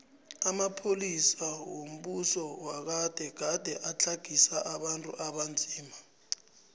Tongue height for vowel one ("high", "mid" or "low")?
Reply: low